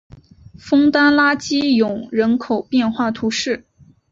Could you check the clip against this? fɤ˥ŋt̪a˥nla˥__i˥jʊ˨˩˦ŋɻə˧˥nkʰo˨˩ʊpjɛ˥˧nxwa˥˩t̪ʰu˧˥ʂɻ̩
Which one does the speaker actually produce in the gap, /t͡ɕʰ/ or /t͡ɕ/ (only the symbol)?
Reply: t͡ɕ